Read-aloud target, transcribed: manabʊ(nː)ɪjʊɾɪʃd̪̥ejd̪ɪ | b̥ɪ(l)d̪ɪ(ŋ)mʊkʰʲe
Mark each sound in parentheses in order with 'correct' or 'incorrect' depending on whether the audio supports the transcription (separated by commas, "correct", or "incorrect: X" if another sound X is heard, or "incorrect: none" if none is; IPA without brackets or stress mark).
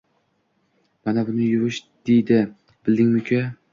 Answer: incorrect: n, correct, correct